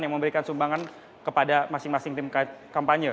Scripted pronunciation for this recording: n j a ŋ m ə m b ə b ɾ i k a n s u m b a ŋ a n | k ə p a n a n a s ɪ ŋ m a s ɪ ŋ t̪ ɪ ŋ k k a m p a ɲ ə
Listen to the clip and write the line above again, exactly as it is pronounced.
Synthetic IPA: n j a ŋ m ə m b ə ɾ i k a n s u m b a ŋ a n | k ə p a d a m a s ɪ ŋ m a s ɪ ŋ t̪ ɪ m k k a m p a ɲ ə